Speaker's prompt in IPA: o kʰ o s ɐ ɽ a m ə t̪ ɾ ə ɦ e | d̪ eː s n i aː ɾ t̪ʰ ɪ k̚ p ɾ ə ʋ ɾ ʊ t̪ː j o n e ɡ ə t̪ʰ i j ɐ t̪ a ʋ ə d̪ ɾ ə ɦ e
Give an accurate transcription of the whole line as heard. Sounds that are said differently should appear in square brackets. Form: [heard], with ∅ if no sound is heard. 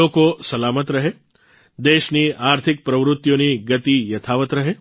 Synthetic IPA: o [k] o s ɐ [l] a m ə t̪ ɾ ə ɦ e | d̪ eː [ʃ] n i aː ɾ t̪ʰ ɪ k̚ p ɾ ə ʋ ɾ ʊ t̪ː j o n [i] ɡ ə [t̪] i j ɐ [t̪ʰ] a ʋ ə [t̪] ɾ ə ɦ e